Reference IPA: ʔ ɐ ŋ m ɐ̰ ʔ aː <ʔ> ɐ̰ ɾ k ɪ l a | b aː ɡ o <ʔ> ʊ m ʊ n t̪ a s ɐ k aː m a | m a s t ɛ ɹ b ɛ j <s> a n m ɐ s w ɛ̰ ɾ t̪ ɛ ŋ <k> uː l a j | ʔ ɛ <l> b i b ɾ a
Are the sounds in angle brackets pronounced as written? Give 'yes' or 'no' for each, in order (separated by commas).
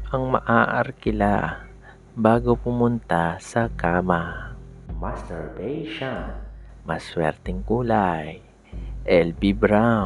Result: yes, no, no, yes, yes